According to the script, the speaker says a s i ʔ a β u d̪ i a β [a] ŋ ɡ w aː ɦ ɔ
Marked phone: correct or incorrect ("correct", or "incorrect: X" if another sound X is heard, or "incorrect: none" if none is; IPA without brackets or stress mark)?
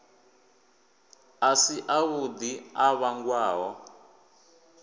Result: correct